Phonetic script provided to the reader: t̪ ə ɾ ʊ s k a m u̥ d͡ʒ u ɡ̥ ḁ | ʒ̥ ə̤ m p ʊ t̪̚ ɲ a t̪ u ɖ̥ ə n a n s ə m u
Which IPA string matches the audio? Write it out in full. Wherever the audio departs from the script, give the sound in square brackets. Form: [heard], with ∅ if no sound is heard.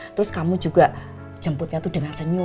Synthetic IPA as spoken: t̪ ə ɾ ʊ s k a m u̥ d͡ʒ u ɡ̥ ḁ | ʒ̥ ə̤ m p ʊ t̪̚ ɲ a t̪ u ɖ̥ ə [ŋ] a n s ə [ɲ] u

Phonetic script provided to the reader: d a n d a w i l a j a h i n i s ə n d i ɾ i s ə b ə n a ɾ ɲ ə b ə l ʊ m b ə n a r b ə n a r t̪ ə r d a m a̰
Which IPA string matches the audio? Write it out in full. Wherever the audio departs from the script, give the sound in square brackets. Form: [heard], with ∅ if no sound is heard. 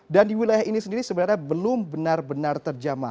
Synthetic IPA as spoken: d a n d [i] w i l a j a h i n i s ə n d i ɾ i s ə b ə n a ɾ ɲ [a] b ə l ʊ m b ə n a r b ə n a r t̪ ə r [d͡ʒ] a m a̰

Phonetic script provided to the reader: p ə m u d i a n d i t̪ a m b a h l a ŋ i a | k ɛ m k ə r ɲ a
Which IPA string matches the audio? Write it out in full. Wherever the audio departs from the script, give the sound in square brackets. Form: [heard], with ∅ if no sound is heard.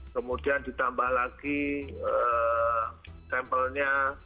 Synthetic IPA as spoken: [k] ə m u d i a n d i t̪ a m b a h l a [ɡ] i [ə] | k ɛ m [p] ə [l] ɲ a

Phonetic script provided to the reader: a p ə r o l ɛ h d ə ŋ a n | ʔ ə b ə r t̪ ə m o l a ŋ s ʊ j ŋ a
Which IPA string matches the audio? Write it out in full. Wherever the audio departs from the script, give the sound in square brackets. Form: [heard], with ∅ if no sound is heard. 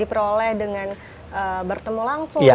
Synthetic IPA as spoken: [i] p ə [ɾ] o l ɛ h d ə ŋ a n | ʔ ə b ə r t̪ ə m [u] l a ŋ s ʊ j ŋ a

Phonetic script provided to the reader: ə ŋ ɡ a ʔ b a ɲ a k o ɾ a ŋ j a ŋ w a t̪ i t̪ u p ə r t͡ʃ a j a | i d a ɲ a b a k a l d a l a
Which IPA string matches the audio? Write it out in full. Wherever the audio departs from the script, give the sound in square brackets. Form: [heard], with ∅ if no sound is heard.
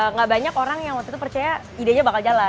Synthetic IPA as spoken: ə ŋ ɡ a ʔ b a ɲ a k o ɾ a ŋ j a ŋ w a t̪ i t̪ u p ə r t͡ʃ a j a | i d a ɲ a b a k a l [d͡ʒ] a l a

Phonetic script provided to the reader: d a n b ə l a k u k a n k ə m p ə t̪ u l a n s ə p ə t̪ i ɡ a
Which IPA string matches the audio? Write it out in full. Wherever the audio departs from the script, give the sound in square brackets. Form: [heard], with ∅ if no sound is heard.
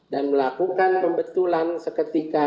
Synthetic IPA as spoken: d a n [m] ə l a k u k a n [p] ə m [b] ə t̪ u l a n s ə [k] ə t̪ i [k] a

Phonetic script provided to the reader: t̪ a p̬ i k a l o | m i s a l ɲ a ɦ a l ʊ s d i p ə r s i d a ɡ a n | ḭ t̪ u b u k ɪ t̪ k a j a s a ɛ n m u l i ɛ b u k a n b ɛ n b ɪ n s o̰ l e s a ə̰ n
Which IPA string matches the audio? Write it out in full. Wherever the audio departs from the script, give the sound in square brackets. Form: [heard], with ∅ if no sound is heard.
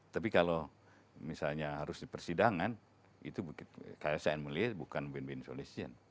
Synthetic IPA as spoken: t̪ a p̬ i k a l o | m i s a l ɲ a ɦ a [ɾ] ʊ s d i p ə r s i d a [ŋ] a n | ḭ t̪ u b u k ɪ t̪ k a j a s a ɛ n m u l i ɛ b u k a n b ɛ n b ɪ n s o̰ l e s [i] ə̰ n

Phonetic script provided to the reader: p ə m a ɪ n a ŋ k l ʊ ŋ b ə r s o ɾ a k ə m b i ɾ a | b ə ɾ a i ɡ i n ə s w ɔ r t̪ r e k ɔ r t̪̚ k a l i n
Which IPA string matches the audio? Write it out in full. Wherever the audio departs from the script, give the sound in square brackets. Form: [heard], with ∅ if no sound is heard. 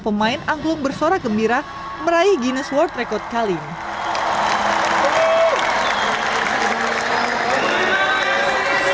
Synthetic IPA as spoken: p ə m a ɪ n a ŋ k l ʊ ŋ b ə r s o ɾ a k ə m b i ɾ a | [m] ə ɾ a i ɡ i n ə s w ɔ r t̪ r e k ɔ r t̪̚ k a l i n

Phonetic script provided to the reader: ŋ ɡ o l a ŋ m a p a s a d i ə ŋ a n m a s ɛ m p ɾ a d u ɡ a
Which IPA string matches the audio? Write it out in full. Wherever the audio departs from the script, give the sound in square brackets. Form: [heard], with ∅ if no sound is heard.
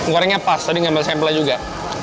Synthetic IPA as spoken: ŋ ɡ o [ɾ] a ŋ [ɲ] a p a s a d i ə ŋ a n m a s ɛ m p [l] a [d͡ʒ] u ɡ a

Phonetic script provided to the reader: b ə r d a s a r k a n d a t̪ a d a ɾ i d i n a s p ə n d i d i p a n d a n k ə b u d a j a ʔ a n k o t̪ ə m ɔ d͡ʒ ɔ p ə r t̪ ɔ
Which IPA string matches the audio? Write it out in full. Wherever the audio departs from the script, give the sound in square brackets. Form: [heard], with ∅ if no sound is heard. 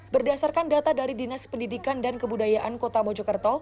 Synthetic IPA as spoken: b ə r d a s a r k a n d a t̪ a d a ɾ i d i n a s p ə n d i d i [k] a n d a n k ə b u d a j a ʔ a n k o t̪ [a] m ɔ d͡ʒ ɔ [k] ə r t̪ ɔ

